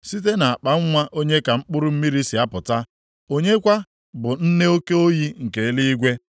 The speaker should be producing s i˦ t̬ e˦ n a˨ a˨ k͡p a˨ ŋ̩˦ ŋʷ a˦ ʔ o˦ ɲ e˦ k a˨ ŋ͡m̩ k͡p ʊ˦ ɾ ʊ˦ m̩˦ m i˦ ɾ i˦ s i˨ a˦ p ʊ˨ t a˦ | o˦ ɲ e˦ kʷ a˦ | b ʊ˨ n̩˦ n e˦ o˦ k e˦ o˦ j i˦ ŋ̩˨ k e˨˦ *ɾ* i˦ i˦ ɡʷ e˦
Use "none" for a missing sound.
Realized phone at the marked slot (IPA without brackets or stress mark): l